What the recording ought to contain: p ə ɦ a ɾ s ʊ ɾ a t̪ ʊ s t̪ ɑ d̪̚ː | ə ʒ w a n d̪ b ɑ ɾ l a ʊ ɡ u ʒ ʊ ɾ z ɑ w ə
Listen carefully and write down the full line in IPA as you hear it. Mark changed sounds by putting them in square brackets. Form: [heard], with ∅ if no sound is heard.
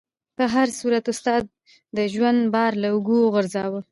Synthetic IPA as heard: p ə ɦ a ɾ s [u] ɾ a t̪ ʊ s t̪ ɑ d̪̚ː | ə ʒ w a n d̪ b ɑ ɾ l a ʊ ɡ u [ɣ] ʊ ɾ z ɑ w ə